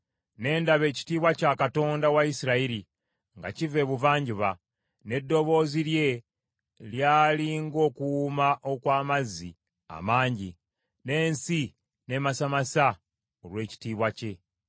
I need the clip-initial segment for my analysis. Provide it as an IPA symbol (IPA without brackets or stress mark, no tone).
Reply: n